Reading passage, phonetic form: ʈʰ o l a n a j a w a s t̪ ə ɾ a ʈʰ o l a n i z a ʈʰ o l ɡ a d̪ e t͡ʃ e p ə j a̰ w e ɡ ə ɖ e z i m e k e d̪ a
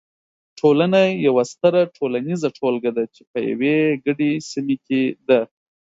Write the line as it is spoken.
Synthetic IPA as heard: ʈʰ o l a n a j a w a s t̪ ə ɾ a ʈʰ o l a n i z a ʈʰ o l ɡ a d̪ a t͡ʃ e p ə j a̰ w e ɡ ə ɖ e s i m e k e d̪ a